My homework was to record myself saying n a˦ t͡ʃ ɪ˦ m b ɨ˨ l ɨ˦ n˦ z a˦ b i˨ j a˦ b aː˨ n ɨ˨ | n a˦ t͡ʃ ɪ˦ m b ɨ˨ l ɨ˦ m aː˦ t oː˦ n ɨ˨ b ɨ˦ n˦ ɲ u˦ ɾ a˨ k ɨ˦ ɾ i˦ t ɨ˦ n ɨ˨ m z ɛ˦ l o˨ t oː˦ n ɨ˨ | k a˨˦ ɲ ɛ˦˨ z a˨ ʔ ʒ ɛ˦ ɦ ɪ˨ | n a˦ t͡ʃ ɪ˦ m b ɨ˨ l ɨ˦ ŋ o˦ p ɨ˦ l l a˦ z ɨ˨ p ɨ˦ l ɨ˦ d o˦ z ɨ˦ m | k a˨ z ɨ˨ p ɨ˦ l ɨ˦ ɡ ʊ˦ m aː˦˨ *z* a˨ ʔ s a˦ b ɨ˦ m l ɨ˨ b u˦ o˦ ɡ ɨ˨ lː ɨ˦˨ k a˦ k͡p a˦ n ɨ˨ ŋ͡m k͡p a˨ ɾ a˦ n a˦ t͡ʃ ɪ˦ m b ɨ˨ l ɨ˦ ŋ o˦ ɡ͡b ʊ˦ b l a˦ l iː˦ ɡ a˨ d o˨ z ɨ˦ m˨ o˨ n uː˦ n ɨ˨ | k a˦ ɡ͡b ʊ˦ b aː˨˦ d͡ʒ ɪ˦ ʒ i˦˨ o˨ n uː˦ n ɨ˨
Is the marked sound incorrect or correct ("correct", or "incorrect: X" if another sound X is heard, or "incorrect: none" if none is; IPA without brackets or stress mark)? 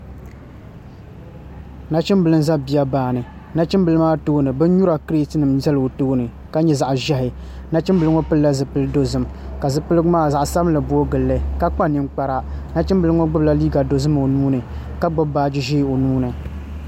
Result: correct